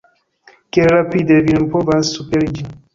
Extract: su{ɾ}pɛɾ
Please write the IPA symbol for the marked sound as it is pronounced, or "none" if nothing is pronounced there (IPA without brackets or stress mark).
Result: none